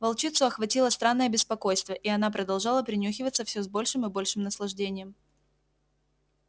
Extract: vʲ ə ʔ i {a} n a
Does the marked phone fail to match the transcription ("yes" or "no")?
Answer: yes